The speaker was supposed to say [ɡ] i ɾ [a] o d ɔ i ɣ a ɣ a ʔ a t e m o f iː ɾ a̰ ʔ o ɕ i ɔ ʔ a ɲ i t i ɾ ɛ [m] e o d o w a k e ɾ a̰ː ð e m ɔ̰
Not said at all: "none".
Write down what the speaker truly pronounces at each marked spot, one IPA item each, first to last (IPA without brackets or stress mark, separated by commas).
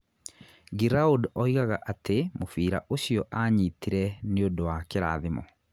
ɡ, a, n